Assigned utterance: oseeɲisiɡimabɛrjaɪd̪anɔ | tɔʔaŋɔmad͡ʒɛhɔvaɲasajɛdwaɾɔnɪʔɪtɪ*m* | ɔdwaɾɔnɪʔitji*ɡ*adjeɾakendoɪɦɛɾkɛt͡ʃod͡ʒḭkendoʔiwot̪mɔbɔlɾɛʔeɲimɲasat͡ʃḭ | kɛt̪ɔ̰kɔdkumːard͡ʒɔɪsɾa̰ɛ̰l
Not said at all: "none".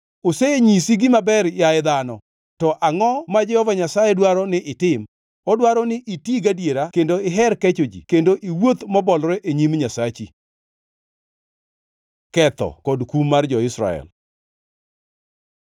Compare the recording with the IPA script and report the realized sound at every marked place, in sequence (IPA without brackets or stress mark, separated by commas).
m, ɡ